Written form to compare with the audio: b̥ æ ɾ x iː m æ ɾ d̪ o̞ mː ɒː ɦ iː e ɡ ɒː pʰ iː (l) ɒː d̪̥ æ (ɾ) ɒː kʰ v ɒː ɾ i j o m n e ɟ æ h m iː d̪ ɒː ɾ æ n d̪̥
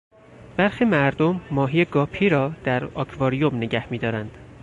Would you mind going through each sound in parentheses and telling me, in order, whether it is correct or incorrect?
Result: incorrect: ɾ, correct

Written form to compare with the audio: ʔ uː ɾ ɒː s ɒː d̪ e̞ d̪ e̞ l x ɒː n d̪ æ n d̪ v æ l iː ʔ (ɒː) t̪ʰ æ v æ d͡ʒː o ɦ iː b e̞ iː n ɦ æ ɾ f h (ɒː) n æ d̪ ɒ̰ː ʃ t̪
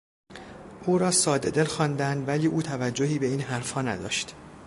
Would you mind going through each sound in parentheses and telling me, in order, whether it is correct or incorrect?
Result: incorrect: uː, correct

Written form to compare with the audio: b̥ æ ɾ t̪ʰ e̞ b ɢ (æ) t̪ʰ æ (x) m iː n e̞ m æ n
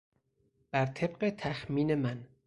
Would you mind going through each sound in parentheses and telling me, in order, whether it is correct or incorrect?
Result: incorrect: e, correct

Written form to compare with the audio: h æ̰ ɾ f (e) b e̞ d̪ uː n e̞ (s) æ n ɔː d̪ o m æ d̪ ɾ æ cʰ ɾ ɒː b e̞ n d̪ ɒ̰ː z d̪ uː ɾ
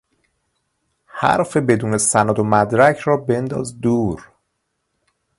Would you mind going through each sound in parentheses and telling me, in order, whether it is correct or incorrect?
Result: correct, correct

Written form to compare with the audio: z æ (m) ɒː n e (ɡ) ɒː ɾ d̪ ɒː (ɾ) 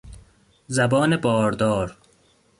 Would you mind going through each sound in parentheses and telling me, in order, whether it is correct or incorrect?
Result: incorrect: b, incorrect: b, correct

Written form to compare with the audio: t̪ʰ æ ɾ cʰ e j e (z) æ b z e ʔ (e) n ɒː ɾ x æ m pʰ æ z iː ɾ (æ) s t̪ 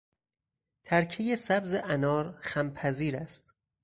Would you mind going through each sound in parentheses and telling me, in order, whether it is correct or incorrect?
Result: incorrect: s, incorrect: æ, correct

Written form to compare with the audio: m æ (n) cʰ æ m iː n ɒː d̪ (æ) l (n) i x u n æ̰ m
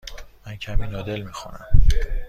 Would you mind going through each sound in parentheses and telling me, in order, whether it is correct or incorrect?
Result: correct, incorrect: e, incorrect: m

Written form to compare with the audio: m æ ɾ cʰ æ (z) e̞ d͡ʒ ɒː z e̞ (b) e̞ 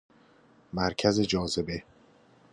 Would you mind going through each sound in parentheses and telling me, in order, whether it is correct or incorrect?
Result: correct, correct

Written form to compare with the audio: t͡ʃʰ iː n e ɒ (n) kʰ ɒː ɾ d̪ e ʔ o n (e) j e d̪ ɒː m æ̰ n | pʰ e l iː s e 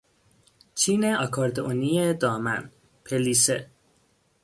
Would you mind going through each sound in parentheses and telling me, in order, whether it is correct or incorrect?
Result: incorrect: none, incorrect: i

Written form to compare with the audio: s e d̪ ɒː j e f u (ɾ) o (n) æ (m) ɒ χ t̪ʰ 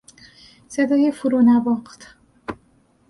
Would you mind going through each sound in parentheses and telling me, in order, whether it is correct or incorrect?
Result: correct, correct, incorrect: b

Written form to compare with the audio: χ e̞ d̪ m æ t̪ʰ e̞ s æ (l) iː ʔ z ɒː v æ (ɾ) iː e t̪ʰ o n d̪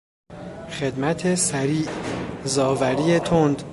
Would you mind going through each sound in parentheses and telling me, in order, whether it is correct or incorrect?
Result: incorrect: ɾ, correct

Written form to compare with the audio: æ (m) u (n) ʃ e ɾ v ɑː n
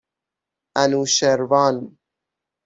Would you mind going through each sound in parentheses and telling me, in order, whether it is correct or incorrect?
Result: incorrect: n, incorrect: none

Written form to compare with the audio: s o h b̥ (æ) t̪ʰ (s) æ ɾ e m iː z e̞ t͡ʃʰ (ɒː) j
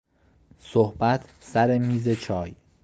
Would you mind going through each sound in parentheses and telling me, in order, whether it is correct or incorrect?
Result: correct, correct, correct

